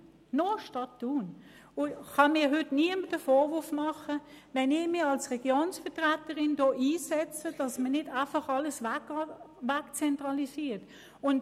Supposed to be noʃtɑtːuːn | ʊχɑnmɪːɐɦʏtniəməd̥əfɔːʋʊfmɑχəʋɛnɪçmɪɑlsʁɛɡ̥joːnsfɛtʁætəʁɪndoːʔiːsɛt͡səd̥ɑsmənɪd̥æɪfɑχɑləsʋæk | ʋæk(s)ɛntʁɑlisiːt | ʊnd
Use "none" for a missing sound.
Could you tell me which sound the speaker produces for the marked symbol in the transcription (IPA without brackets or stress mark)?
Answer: t͡s